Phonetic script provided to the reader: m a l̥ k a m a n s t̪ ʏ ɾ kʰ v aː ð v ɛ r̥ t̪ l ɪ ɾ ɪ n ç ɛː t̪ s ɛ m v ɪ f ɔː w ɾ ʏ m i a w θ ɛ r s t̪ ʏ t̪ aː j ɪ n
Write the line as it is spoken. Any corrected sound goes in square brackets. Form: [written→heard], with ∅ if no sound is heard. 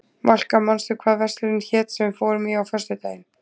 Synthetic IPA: m a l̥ k a m a n s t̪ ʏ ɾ kʰ v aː ð v ɛ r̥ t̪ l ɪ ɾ ɪ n ç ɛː t̪ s ɛ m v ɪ f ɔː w ɾ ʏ m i a w [θ→f] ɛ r s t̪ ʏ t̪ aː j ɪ n